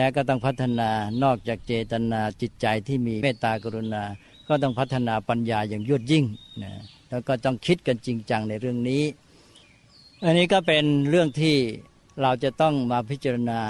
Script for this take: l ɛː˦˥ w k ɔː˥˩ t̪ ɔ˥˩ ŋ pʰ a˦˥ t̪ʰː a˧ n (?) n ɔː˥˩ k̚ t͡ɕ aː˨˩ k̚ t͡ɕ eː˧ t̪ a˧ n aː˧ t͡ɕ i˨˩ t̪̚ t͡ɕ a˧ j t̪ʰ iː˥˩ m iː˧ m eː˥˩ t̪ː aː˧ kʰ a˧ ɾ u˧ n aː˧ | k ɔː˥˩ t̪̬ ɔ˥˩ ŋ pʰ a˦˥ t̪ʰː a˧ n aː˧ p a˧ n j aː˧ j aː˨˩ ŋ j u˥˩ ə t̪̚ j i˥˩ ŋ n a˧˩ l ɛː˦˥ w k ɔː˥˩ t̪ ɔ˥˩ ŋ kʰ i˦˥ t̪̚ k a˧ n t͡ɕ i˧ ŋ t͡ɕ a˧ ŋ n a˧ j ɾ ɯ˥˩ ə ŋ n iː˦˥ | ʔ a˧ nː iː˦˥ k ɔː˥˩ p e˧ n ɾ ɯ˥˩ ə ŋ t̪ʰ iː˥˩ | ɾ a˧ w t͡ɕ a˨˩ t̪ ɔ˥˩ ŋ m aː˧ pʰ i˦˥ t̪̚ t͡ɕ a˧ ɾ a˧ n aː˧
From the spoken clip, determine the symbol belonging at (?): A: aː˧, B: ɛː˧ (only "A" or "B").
A